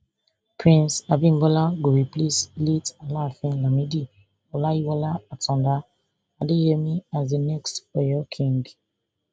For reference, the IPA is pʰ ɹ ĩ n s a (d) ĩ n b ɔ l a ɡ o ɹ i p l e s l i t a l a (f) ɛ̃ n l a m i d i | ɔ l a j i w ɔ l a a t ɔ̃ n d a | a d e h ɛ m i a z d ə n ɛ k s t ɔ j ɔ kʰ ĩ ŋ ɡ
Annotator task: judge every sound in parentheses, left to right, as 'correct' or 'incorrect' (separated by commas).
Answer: incorrect, correct